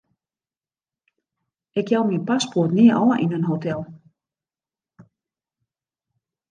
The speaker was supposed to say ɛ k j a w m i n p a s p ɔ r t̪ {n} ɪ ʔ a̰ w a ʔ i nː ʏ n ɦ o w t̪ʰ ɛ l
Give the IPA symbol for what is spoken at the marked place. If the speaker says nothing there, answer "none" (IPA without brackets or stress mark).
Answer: n